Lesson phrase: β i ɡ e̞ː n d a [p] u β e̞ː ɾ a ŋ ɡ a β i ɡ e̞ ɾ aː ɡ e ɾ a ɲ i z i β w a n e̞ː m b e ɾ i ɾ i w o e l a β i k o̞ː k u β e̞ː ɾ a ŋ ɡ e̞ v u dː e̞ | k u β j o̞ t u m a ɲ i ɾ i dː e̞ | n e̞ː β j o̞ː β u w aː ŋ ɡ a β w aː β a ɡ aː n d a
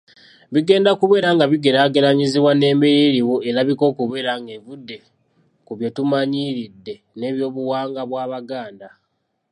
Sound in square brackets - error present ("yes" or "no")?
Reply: yes